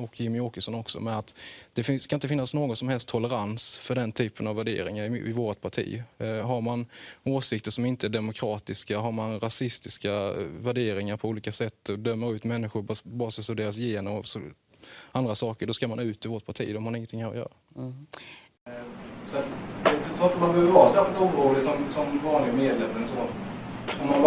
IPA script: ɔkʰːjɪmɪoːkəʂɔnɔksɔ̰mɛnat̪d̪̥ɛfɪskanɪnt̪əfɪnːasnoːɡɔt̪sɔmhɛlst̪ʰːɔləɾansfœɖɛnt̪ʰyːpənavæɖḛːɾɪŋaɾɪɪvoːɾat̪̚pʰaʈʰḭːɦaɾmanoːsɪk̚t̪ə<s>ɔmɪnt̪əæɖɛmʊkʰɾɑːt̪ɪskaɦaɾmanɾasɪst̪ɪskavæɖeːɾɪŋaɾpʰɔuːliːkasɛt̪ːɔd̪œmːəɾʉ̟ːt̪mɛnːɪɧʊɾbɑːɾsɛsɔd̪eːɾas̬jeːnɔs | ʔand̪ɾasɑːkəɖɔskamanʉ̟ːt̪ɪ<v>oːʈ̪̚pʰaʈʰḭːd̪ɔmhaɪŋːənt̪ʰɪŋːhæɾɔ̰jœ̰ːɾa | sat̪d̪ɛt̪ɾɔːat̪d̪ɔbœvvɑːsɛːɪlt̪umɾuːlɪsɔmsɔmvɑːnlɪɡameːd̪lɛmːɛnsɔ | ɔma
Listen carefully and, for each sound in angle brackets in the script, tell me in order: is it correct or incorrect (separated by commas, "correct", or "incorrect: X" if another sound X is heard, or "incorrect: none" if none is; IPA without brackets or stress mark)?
incorrect: ʂ, correct